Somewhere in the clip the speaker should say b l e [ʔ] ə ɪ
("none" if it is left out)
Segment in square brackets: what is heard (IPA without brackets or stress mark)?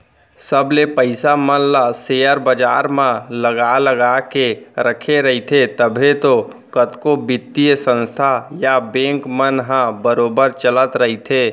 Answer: p